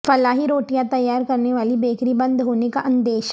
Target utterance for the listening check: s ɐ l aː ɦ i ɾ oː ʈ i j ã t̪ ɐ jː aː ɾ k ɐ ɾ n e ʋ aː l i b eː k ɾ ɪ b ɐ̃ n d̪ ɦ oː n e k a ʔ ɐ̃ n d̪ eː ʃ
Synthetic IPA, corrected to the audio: f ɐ l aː ɦ i ɾ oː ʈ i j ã t̪ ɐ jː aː ɾ k ɐ ɾ n e ʋ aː l i b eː k ɾ i b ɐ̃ n d̪ ɦ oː n e k a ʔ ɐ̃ n d̪ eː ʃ